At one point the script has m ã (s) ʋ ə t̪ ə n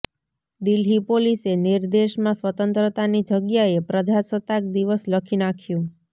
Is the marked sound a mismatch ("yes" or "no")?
no